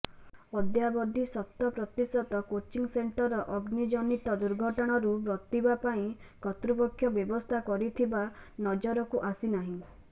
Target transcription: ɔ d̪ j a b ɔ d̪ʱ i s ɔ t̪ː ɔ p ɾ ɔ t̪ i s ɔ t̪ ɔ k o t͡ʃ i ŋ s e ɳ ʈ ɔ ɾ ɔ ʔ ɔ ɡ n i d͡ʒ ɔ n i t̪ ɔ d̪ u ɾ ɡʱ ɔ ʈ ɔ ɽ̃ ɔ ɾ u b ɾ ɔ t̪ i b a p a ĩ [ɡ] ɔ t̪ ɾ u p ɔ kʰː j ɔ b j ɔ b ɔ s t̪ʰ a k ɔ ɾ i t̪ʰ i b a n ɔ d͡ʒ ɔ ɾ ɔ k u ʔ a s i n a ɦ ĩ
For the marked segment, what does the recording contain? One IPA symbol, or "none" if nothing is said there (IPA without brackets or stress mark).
k